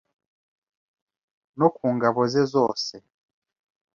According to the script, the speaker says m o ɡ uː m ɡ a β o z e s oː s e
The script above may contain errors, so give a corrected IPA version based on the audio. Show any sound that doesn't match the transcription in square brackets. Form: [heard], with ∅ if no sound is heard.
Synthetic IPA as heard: [n] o [k] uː [ŋ] ɡ a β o z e [z] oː s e